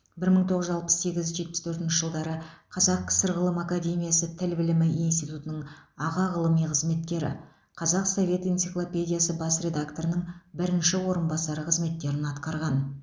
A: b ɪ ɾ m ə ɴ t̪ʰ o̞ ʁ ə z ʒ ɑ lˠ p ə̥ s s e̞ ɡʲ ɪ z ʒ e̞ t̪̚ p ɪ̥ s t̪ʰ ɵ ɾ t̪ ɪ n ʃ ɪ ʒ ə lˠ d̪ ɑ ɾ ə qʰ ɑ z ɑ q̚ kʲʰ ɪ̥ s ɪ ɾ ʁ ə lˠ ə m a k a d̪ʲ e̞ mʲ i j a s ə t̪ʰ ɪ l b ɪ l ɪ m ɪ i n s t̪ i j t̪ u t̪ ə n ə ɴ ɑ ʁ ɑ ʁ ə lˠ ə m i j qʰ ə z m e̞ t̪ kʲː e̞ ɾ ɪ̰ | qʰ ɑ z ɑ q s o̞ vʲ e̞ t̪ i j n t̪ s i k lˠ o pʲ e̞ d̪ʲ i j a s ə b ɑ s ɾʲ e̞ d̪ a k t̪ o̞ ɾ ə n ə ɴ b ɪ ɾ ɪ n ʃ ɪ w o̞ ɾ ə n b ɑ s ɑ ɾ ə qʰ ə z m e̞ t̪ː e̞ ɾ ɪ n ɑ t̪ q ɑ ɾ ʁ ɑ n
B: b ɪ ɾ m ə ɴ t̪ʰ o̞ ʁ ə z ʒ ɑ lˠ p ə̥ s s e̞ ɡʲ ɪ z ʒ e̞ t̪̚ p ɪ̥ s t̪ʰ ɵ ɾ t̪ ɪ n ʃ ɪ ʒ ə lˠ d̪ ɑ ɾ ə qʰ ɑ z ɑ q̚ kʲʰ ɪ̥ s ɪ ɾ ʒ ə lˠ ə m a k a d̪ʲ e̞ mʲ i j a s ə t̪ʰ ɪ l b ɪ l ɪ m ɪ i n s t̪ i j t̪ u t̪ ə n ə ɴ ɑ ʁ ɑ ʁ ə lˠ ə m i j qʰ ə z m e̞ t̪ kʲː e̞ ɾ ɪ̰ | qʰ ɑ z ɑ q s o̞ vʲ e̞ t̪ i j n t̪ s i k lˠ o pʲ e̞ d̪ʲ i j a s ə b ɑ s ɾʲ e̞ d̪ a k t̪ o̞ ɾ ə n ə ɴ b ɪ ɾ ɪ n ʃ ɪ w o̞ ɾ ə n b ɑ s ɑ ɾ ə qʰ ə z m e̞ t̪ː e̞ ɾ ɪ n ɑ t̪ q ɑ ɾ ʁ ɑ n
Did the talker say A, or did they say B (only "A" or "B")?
A